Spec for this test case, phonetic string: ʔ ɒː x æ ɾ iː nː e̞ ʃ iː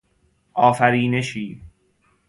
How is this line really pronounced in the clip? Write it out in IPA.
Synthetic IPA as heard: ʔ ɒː f æ ɾ iː n e̞ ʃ iː